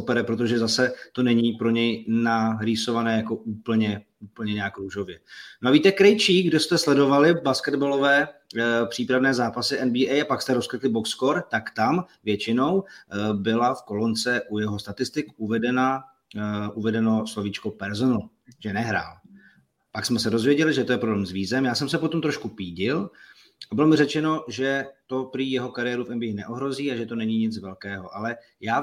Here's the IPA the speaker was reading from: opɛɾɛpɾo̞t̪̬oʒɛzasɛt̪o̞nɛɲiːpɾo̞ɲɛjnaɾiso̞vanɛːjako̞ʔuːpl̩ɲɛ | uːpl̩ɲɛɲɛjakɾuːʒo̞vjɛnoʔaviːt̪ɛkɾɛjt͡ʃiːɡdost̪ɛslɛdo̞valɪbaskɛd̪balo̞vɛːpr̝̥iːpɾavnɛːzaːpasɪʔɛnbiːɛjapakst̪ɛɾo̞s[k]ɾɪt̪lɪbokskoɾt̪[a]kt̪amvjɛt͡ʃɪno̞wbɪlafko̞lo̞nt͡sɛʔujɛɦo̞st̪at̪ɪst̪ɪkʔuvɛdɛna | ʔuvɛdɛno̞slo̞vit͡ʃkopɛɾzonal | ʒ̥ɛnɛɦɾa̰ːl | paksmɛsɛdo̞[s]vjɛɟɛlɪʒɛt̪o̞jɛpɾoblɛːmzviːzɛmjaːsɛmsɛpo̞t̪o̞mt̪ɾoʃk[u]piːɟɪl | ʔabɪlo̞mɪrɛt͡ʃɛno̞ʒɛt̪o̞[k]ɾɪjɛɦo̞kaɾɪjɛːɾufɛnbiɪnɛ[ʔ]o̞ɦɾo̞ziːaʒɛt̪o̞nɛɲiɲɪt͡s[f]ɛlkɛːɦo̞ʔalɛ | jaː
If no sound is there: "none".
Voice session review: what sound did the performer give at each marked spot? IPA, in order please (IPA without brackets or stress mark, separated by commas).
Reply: k, a, z, u, p, ʔ, v